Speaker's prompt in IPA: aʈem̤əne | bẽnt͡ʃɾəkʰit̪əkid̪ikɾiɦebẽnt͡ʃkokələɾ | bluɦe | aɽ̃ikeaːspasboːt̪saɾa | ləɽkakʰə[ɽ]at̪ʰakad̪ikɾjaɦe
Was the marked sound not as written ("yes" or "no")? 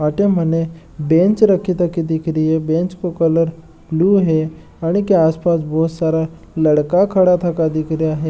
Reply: no